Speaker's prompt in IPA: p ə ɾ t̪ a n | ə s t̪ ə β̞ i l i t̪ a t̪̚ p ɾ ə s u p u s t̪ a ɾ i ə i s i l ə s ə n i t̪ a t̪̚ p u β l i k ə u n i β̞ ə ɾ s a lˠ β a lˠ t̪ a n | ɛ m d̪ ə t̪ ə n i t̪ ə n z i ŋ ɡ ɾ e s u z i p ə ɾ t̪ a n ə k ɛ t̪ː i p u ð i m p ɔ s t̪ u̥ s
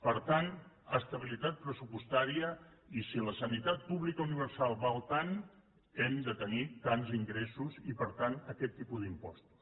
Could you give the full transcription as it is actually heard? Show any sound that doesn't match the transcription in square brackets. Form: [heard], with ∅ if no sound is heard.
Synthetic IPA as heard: p ə ɾ t̪ a n | ə s t̪ ə β̞ i l i t̪ a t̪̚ p ɾ ə s u p u s t̪ a ɾ i ə i s i l ə s ə n i t̪ a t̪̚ p u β l i k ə u n i β̞ ə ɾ s a lˠ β a lˠ t̪ a n | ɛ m d̪ ə t̪ ə n i t̪ [a] n z i ŋ ɡ ɾ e s u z i p ə ɾ t̪ a n ə k ɛ t̪ː i p u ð i m p ɔ s t̪ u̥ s